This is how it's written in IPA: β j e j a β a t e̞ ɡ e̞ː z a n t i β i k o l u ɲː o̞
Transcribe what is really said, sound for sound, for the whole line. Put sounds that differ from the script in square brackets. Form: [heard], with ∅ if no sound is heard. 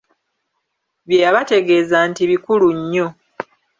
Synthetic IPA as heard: β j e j a β a t e̞ ɡ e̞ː z a n t i β i k [u] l u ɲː o̞